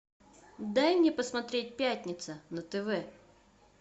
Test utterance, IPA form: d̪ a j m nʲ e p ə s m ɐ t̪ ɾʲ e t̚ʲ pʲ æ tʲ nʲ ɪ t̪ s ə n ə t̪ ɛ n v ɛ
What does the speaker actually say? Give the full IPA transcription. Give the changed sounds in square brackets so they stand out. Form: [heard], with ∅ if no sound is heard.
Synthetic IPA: d̪ a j m nʲ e p ə s m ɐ t̪ ɾʲ e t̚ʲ pʲ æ tʲ nʲ ɪ t̪ s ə n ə t̪ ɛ [∅] v ɛ

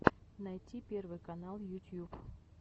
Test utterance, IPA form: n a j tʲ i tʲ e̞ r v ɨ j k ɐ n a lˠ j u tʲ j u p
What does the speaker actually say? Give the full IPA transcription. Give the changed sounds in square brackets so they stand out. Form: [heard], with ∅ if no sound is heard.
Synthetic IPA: n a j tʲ i [pʲ] e̞ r v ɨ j k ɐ n a lˠ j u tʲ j u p

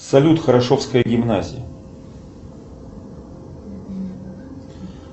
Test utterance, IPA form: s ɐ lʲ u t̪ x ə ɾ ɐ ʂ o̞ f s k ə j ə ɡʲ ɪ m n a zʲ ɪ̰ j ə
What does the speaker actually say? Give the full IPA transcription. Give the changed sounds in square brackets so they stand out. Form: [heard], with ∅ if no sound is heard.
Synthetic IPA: s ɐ lʲ u t̪ x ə ɾ ɐ ʂ o̞ f s k ə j ə ɡʲ ɪ m n a zʲ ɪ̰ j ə

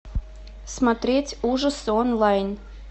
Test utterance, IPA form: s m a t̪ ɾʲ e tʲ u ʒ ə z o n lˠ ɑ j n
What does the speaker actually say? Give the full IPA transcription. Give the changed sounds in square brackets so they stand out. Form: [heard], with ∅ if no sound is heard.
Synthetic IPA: s m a t̪ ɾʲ e tʲ u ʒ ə [s] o n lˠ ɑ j n

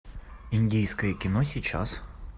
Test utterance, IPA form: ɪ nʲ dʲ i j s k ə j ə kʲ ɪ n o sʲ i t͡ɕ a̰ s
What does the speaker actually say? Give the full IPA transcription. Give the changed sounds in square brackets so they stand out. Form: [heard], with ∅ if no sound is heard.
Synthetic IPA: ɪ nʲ dʲ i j s k ə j ə kʲ ɪ n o sʲ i t͡ɕ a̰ s

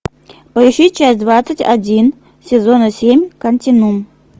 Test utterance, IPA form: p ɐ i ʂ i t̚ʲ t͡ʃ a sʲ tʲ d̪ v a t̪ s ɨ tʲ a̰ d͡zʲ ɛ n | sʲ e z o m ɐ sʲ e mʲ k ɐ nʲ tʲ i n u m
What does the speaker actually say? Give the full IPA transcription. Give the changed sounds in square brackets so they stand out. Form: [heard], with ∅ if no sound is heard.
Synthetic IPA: p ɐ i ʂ i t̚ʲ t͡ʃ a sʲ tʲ d̪ v a t̪ s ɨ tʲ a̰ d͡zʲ [i] n | sʲ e z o [n] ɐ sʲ e mʲ k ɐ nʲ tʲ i n u m

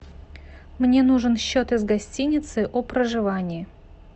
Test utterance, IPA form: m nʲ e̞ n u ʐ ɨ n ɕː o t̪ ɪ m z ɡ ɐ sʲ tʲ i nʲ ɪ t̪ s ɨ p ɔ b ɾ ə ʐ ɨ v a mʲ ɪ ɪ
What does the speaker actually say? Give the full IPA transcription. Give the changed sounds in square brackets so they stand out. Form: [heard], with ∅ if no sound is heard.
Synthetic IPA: m nʲ e̞ n u ʐ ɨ n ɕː o t̪ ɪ [∅] z ɡ ɐ sʲ tʲ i nʲ ɪ t̪ s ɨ [ʔ] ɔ [p] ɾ ə ʐ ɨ v a [nʲ] ɪ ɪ

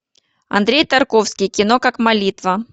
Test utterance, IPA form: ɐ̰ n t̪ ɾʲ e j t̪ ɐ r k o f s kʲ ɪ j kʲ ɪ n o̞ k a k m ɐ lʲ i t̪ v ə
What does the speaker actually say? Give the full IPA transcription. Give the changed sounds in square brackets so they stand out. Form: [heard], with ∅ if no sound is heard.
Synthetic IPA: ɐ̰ n [d̪] ɾʲ e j t̪ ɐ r k o f s kʲ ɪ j kʲ ɪ n o̞ k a k m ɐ lʲ i t̪ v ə

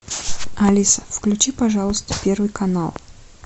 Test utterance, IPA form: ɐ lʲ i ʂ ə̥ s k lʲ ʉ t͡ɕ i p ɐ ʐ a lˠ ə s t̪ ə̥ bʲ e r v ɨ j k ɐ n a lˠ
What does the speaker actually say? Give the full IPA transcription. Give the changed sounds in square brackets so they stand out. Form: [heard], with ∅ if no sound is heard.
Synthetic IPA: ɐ lʲ i [s] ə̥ [f] k lʲ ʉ t͡ɕ i p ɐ ʐ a lˠ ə s t̪ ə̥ [pʲ] e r v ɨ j k ɐ n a lˠ

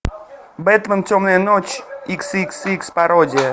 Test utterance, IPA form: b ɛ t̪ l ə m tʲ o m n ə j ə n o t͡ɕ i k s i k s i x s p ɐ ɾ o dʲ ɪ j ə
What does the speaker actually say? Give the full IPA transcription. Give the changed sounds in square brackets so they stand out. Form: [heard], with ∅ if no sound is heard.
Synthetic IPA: b ɛ t̪ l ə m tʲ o m n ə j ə n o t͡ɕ i k s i k s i [k] s p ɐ ɾ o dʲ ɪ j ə

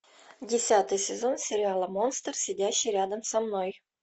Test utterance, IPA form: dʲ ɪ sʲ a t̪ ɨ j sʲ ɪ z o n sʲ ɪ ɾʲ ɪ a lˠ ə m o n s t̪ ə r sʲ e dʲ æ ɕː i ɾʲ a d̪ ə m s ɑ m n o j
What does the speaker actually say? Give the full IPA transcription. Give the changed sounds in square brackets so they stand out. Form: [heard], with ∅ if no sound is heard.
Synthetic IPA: dʲ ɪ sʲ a t̪ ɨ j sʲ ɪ z o n sʲ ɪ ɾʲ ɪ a lˠ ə m o n s t̪ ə r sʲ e dʲ æ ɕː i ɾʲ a d̪ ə m s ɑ m n o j

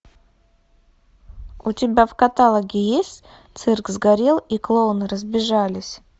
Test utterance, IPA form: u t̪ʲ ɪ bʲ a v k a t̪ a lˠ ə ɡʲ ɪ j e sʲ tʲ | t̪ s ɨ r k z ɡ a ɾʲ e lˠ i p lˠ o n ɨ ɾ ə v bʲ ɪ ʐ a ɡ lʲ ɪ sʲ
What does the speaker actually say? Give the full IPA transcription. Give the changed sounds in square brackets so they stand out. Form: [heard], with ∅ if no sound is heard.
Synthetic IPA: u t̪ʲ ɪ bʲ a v k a t̪ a lˠ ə ɡʲ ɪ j e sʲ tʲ | t̪ s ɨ r k z ɡ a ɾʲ e lˠ i [k] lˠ o n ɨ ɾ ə [z] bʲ ɪ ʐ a [∅] lʲ ɪ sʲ

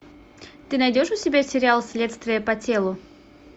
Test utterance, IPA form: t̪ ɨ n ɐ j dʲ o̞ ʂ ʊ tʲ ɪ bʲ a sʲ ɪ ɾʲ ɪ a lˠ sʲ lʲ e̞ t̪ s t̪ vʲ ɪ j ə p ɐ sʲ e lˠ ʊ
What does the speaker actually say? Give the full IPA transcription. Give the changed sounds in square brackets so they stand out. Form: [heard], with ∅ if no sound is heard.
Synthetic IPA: t̪ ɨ n ɐ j dʲ o̞ ʂ ʊ [sʲ] ɪ bʲ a sʲ ɪ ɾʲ ɪ a lˠ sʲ lʲ e̞ t̪ s t̪ vʲ ɪ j ə p ɐ [tʲ] e lˠ ʊ

